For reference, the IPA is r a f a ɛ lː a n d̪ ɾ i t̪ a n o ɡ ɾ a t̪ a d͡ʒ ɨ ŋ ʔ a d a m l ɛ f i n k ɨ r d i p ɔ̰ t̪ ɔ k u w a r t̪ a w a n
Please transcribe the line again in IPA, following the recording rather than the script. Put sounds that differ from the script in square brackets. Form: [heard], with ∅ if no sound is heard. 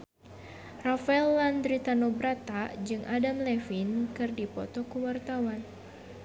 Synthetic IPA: r a f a ɛ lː a n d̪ ɾ i t̪ a n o [b] ɾ a t̪ a d͡ʒ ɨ ŋ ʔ a d a m l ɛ f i n k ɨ r d i p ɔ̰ t̪ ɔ k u w a r t̪ a w a n